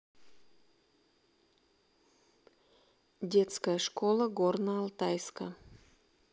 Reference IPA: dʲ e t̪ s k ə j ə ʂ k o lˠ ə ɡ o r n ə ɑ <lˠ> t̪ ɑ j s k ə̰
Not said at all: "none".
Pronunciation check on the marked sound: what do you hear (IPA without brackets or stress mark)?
lˠ